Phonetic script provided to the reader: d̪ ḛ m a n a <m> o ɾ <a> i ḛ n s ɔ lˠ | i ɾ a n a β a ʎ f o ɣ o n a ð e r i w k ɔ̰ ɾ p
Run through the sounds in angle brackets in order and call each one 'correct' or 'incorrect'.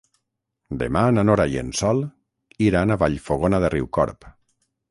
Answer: incorrect: n, correct

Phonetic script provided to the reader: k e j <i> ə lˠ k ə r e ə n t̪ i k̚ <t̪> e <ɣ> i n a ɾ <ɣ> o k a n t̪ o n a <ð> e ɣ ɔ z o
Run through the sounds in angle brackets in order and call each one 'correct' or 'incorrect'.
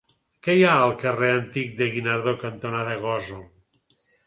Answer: incorrect: a, incorrect: d̪, correct, incorrect: ð, correct

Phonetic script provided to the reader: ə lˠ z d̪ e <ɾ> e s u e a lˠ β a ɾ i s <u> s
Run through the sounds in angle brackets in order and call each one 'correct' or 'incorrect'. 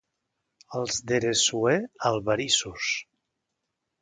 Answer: correct, correct

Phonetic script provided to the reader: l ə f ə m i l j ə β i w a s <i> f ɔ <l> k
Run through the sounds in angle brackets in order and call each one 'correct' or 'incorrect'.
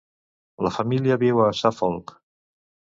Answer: incorrect: a, correct

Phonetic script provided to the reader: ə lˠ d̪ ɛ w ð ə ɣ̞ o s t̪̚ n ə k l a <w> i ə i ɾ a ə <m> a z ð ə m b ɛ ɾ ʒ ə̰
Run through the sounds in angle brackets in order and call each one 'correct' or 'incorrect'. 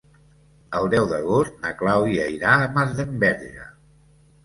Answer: correct, correct

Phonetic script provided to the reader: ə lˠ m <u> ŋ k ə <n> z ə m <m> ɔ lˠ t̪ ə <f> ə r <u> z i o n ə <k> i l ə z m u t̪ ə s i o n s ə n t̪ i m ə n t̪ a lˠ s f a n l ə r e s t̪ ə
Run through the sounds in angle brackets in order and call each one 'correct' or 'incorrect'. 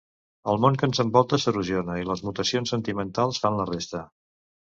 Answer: incorrect: o, correct, incorrect: b, incorrect: s, correct, incorrect: none

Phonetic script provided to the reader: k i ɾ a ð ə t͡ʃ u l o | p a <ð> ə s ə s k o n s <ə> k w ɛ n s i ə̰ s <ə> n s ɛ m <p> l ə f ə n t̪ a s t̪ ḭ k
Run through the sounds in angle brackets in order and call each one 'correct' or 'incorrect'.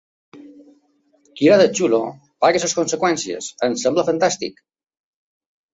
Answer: incorrect: ɣ, correct, correct, incorrect: b

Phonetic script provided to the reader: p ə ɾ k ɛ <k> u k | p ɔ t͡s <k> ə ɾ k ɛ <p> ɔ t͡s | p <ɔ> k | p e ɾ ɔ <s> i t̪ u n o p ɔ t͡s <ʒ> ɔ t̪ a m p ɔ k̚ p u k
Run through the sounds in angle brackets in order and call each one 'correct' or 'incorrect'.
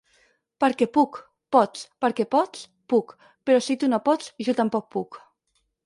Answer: incorrect: p, incorrect: p, correct, incorrect: u, correct, correct

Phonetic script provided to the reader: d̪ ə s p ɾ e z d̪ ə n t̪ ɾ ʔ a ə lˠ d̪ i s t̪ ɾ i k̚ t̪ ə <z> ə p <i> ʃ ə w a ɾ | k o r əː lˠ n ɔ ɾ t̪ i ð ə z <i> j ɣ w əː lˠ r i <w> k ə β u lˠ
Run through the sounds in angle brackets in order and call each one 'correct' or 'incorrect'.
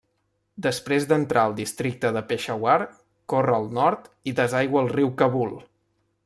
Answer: incorrect: ð, incorrect: e, incorrect: a, correct

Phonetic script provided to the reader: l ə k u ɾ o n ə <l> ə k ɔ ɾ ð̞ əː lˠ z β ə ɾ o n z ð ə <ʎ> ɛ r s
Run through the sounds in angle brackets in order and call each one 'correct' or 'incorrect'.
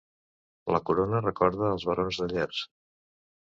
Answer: incorrect: r, correct

